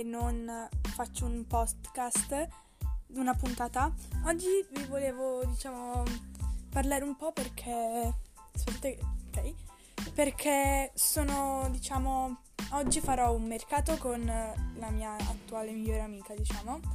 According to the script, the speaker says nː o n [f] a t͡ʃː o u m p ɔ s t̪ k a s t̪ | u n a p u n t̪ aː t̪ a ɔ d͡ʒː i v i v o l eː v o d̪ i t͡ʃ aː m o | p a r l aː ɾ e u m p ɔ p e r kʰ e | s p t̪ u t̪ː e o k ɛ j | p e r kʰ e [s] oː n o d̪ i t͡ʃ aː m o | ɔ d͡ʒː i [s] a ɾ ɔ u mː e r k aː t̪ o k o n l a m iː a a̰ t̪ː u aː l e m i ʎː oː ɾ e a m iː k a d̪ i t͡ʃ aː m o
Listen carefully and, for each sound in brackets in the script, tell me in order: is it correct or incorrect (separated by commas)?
correct, correct, incorrect